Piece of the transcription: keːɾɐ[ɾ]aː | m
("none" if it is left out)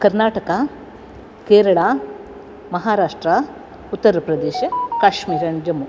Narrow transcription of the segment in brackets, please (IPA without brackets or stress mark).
ɭ